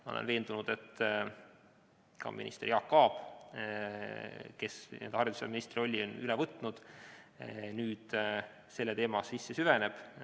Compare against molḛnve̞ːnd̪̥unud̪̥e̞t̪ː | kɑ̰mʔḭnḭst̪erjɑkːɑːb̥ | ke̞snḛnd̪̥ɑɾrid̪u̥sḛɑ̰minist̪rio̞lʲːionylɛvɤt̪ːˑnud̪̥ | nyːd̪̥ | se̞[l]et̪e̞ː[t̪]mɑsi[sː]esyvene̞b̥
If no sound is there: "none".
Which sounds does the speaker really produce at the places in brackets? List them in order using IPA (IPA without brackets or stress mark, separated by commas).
lː, none, sː